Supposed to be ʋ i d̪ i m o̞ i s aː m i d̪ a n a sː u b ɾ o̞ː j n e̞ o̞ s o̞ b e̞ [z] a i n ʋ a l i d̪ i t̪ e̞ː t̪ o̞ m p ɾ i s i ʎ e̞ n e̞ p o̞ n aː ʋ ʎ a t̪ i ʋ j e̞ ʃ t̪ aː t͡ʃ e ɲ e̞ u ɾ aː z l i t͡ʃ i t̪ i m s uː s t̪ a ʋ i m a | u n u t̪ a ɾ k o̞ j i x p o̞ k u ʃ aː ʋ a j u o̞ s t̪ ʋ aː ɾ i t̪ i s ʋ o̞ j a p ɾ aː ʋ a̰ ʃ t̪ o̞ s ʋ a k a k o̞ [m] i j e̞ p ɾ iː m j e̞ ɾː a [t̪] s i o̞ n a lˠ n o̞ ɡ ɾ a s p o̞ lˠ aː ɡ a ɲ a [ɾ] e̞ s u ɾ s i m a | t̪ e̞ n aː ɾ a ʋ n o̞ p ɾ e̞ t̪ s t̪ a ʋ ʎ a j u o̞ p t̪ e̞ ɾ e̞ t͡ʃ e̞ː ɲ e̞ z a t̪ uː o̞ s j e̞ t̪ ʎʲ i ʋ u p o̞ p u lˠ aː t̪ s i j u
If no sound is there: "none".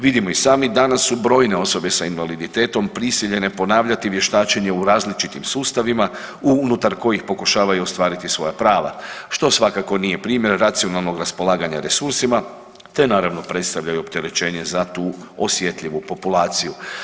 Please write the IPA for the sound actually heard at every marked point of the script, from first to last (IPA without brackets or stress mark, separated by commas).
s, n, t̪, ɾ